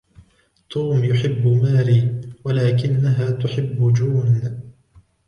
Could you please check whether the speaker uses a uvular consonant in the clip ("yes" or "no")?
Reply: no